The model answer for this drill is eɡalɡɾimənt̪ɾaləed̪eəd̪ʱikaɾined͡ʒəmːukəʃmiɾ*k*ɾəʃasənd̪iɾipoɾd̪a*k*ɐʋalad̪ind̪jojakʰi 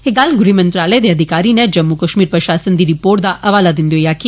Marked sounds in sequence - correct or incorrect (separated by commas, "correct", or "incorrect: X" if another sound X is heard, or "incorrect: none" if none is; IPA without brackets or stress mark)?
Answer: incorrect: p, incorrect: ʔ